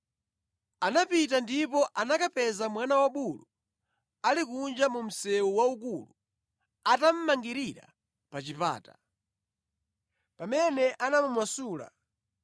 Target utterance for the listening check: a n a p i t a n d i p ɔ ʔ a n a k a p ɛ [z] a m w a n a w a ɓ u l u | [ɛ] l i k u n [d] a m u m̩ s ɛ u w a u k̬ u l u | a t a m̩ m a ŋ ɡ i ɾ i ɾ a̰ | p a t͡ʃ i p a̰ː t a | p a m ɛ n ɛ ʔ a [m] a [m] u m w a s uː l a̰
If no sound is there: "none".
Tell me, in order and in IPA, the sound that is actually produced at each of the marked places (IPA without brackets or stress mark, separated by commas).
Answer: z, a, d͡ʒ, n, m